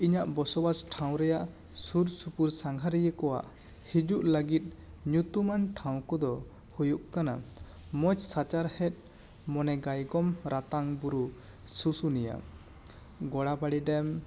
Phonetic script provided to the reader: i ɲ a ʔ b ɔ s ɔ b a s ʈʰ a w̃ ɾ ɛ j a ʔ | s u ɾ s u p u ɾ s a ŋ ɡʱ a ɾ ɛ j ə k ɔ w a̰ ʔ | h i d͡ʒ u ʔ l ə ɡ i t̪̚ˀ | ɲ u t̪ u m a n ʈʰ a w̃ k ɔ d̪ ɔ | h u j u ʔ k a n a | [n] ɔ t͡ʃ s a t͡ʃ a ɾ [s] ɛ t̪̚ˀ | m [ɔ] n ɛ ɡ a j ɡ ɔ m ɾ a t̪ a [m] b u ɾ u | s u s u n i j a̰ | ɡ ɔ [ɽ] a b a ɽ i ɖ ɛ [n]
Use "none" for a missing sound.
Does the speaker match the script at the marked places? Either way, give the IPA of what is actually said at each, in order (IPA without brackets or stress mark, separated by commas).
m, h, ɔ, ŋ, ɽ, m